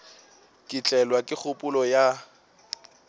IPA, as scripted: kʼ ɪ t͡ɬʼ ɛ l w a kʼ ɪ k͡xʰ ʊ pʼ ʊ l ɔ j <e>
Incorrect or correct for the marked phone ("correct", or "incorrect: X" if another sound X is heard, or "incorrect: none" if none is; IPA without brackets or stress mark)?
incorrect: a